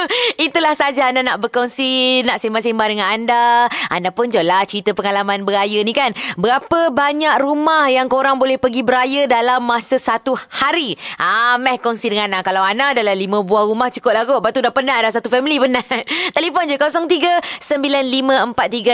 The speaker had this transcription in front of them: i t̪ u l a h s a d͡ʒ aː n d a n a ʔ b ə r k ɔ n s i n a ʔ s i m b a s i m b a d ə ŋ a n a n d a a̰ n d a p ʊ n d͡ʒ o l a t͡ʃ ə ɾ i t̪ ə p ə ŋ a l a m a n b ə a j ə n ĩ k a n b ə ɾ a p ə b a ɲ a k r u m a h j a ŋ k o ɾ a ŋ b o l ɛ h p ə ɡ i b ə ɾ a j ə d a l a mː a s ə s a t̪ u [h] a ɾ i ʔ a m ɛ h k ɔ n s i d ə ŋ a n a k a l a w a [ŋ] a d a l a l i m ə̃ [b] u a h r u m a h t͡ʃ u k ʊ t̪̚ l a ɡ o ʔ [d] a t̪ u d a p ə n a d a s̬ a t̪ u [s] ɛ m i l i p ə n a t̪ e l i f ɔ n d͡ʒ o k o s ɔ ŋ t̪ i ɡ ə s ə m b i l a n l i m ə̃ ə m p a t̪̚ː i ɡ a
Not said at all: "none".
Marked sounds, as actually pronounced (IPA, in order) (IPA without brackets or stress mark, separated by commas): h, n, b, b, f